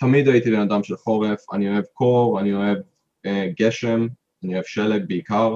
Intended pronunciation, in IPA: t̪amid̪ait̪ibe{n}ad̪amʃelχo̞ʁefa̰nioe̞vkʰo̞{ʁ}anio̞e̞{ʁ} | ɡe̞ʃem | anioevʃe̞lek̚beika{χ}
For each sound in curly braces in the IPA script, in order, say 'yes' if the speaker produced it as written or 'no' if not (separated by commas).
yes, yes, no, no